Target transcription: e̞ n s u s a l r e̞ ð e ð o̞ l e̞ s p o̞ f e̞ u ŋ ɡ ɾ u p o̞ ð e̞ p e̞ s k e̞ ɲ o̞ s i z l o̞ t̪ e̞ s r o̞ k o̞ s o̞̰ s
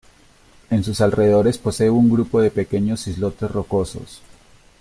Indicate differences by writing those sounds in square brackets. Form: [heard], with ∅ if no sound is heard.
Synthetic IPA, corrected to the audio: e̞ n s u s a l r e̞ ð e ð o̞ [ɾ] e̞ s p o̞ [s] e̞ u ŋ ɡ ɾ u p o̞ ð e̞ p e̞ [∅] k e̞ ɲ o̞ s i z l o̞ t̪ e̞ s r o̞ k o̞ s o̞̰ s